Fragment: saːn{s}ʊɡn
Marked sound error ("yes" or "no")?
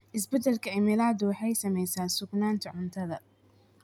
no